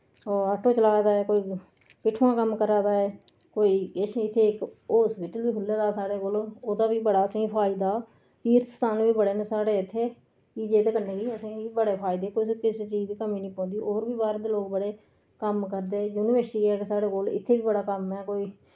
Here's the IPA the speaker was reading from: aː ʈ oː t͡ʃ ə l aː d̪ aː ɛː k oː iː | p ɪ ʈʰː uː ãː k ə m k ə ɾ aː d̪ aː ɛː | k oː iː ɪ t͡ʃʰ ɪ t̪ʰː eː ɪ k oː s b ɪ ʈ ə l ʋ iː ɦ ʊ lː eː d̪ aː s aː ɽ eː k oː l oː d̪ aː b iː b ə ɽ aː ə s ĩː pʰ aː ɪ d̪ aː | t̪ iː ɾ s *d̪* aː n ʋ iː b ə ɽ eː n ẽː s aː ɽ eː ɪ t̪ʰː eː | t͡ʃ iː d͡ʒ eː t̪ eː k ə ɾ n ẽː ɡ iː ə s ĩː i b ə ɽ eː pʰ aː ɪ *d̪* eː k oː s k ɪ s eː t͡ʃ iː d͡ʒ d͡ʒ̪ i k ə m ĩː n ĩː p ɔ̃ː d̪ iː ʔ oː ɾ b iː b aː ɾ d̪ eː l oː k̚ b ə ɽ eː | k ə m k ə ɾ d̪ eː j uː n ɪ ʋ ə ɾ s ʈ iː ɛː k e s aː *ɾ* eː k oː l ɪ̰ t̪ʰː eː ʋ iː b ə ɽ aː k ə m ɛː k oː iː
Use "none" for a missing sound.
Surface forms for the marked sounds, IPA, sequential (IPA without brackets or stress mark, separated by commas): t̪, d̪, ɽ